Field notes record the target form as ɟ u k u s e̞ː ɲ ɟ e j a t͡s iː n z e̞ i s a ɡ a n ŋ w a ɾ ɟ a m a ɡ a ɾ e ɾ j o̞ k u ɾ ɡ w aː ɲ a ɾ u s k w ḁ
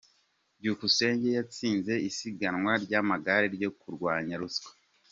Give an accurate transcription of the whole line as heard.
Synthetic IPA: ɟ u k u s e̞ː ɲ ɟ e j a t͡s iː n z e̞ i s i ɡ a n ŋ w a ɾ ɟ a m a ɡ a ɾ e ɾ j o̞ k u ɾ ɡ w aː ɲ a ɾ u s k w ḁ